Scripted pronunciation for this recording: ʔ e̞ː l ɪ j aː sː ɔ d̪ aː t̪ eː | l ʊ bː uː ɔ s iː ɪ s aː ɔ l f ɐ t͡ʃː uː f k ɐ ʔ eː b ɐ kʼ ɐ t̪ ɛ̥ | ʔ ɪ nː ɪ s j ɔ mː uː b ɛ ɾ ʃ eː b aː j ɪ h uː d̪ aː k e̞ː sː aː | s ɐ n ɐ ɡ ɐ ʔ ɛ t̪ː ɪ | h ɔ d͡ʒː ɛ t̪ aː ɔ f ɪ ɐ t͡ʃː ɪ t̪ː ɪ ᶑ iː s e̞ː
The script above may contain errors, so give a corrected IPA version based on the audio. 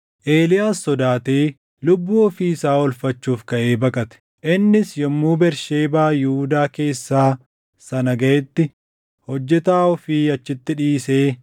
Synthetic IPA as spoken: ʔ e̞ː l ɪ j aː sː ɔ d̪ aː t̪ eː | l ʊ bː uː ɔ f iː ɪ s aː ɔ l f ɐ t͡ʃː uː f k ɐ ʔ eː b ɐ kʼ ɐ t̪ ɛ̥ | ʔ ɪ nː ɪ s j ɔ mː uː b ɛ ɾ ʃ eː b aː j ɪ h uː d̪ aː k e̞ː sː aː | s ɐ n ɐ ɡ ɐ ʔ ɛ t̪ː ɪ | h ɔ d͡ʒː ɛ t̪ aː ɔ f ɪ ɐ t͡ʃː ɪ t̪ː ɪ ᶑ iː s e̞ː